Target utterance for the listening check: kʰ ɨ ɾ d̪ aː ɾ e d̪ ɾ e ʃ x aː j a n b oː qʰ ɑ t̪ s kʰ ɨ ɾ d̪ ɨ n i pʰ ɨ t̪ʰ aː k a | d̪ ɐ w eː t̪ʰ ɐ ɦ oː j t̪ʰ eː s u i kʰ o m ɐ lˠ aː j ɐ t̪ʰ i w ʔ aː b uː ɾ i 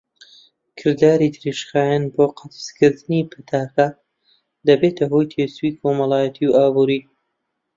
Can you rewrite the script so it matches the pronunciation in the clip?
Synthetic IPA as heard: kʰ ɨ ɾ d̪ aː ɾ i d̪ ɾ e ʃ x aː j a n b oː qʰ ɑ t̪ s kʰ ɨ ɾ d̪ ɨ n i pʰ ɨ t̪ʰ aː k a | d̪ ɐ b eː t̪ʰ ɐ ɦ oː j t̪ʰ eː s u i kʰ o m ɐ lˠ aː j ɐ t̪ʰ i w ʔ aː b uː ɾ i